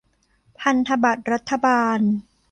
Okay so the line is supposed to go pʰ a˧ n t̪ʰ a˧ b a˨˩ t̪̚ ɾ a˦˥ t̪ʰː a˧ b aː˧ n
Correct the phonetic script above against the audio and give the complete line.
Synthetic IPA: pʰ a˧ n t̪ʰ a˧ b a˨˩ t̪̚ ɾ a˦˥ t̪ʰː a˧ b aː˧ n